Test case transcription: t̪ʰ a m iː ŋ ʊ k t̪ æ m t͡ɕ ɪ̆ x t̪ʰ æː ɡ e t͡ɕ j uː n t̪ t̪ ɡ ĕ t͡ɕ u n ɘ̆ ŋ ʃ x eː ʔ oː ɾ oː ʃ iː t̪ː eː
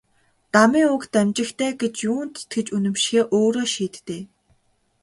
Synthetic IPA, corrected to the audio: t̪ a m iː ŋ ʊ k t̪ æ m t͡ɕ ɪ̆ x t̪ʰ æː ɡ e t͡ɕ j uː n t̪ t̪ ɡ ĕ t͡ɕ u n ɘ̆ m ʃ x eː ʔ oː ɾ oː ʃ iː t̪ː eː